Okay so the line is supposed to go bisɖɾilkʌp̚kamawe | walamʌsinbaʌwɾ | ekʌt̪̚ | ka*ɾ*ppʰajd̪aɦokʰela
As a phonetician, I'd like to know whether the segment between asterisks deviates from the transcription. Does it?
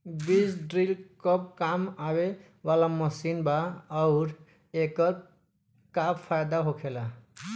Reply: yes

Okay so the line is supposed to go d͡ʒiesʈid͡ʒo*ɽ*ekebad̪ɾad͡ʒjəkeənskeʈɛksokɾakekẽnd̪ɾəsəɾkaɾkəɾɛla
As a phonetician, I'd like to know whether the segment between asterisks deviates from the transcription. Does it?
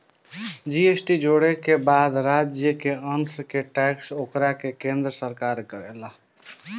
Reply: no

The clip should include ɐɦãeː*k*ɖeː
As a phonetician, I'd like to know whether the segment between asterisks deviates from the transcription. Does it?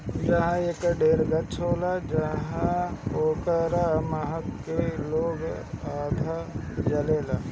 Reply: no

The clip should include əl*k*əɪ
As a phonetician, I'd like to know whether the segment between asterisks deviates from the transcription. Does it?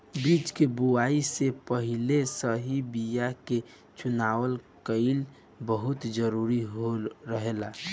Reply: no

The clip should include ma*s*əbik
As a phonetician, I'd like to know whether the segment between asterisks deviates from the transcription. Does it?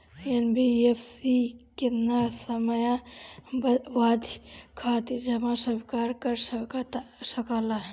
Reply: no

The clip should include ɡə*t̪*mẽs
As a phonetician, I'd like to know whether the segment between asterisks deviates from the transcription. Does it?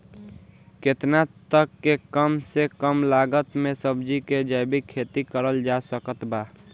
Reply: no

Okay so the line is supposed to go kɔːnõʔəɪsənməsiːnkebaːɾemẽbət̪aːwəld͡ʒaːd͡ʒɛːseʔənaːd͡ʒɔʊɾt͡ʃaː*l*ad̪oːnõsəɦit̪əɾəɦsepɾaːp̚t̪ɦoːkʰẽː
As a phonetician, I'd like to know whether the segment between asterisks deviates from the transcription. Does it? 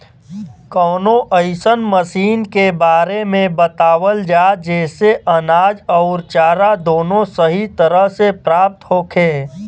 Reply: yes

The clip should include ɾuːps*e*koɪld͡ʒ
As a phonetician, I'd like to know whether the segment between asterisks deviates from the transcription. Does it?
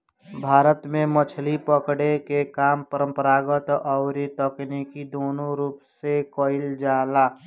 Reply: no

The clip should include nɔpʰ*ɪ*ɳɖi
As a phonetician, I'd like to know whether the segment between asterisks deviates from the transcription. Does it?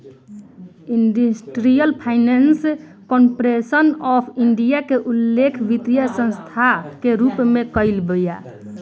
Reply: yes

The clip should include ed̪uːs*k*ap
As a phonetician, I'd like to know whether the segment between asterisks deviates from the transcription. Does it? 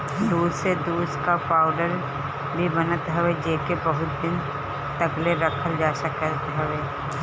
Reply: no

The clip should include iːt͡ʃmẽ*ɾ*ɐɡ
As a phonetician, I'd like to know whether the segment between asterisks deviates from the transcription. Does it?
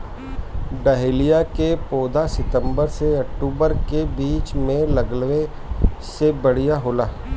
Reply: yes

